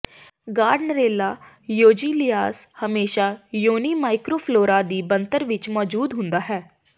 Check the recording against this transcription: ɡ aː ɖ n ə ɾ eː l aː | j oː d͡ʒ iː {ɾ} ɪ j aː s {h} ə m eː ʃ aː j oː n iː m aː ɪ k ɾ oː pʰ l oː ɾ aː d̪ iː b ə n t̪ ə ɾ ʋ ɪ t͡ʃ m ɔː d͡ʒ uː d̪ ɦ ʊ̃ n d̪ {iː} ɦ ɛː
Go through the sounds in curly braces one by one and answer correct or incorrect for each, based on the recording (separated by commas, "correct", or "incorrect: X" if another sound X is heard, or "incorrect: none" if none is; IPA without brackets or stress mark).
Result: incorrect: l, correct, incorrect: aː